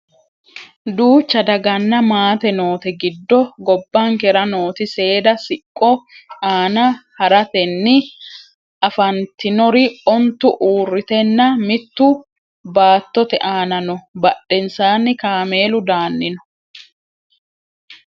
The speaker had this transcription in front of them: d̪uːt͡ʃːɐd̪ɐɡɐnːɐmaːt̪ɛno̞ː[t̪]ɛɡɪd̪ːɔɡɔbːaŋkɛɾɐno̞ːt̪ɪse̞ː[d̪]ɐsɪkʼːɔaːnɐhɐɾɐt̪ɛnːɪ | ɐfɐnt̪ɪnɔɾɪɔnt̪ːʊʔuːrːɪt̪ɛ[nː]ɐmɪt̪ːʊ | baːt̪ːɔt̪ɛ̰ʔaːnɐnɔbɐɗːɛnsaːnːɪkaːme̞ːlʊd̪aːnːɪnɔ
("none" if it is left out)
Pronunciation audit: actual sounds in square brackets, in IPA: t̪, d̪, nː

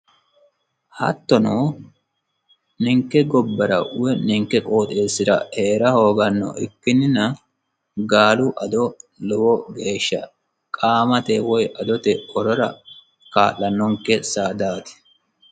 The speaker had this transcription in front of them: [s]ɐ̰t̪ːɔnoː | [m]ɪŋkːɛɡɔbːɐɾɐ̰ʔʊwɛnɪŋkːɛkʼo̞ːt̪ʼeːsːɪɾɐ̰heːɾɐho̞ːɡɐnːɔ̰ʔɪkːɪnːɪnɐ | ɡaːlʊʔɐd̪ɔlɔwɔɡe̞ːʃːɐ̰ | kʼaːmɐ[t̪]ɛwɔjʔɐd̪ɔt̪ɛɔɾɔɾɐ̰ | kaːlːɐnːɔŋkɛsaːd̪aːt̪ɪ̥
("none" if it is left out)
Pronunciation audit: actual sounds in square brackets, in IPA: h, n, t̪

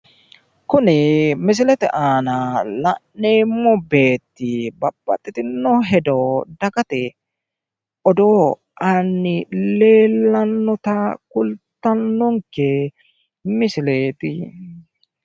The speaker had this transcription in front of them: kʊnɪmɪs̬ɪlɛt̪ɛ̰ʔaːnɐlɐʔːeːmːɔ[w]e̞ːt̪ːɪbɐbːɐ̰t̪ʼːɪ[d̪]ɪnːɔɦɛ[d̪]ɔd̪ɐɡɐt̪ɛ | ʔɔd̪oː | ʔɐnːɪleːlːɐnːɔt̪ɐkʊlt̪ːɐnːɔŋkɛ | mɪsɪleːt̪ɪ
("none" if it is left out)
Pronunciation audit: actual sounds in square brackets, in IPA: b, t̪, d̪

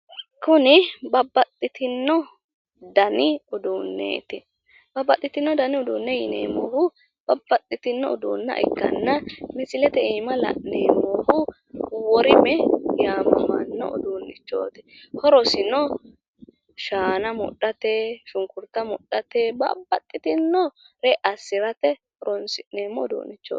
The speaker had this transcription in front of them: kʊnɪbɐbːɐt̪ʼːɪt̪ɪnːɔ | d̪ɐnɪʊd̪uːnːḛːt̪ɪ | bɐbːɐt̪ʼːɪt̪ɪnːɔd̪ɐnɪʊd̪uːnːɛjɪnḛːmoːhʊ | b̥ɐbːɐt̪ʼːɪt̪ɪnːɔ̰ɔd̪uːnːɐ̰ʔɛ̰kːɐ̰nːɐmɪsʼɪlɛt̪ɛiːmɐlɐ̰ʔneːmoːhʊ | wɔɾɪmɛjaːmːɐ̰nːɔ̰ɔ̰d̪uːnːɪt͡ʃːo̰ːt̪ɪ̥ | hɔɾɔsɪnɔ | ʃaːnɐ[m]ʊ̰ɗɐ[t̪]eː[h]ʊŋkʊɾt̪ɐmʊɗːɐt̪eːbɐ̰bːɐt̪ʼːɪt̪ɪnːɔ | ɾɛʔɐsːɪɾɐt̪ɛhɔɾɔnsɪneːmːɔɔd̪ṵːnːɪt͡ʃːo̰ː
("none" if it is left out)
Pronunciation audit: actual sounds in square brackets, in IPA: m, t̪, ʃ

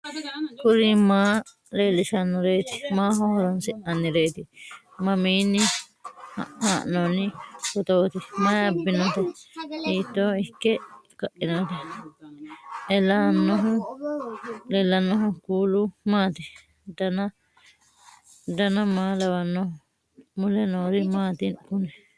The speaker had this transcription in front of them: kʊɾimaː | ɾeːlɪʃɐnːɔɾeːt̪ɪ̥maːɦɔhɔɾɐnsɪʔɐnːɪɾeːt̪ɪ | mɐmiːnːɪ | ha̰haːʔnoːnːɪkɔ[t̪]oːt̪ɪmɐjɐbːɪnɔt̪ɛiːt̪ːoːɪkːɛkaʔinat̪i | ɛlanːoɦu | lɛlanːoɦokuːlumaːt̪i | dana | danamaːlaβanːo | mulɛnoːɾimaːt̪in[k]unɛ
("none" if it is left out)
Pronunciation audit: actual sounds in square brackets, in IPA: t̪, k

